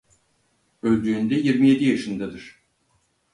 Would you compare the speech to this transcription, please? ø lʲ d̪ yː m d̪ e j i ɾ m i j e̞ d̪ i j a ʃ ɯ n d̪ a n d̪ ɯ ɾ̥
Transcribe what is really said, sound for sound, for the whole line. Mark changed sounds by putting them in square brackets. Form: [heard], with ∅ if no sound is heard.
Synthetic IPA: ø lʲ d̪ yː [n] d̪ [ɛ] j i ɾ m i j e̞ d̪ i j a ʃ ɯ n d̪ a [∅] d̪ ɯ ɾ̥